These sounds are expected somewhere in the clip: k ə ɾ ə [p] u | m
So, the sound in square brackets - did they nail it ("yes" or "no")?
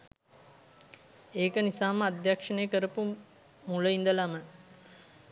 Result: yes